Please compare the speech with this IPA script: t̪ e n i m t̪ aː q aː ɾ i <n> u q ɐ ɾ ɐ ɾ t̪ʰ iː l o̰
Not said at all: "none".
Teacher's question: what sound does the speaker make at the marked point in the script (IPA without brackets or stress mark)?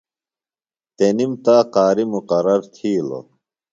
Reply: m